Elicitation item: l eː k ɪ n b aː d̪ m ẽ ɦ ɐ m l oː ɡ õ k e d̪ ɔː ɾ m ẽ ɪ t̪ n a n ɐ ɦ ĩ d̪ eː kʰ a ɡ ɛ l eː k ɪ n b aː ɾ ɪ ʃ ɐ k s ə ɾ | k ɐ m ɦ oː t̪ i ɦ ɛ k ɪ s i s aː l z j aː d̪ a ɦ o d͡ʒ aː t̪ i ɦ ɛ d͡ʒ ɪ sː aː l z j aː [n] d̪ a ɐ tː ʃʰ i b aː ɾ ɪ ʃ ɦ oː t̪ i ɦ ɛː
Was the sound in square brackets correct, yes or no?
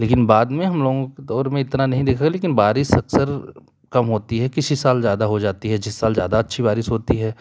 no